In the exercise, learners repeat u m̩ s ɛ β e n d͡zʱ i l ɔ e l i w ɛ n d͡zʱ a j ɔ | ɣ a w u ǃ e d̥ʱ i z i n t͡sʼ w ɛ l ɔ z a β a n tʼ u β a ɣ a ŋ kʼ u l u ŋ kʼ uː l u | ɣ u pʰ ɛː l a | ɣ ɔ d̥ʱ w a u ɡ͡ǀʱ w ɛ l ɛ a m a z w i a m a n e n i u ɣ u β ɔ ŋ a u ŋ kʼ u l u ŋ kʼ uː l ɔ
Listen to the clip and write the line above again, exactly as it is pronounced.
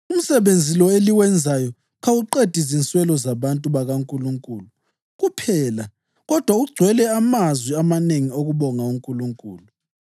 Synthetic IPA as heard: u m̩ s ɛ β e n d͡zʱ i l ɔ e l i w ɛ n d͡zʱ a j ɔ | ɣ a w u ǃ e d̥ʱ i z i n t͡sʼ w ɛ l ɔ z a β a n tʼ u β a ɣ a ŋ kʼ u l u ŋ kʼ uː l u | ɣ u pʰ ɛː l a | ɣ ɔ d̥ʱ w a u ɡ͡ǀʱ w ɛ l ɛ a m a z w i a m a n e ŋ i o ɣ u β ɔ ŋ a u ŋ kʼ u l u ŋ kʼ uː l u